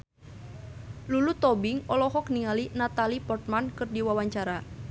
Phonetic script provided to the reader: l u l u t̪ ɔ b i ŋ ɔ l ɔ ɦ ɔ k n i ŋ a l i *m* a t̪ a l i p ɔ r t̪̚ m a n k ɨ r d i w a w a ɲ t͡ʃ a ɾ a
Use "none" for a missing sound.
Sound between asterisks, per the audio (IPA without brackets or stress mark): n